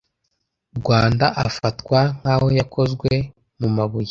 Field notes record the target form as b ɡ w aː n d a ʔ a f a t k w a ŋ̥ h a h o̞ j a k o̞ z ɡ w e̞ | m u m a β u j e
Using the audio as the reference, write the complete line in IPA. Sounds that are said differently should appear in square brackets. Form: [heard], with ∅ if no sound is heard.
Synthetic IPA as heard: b ɡ w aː n d a ʔ a f a t k w a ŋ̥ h a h o̞ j a k o̞ z ɡ w e̞ | m u m a β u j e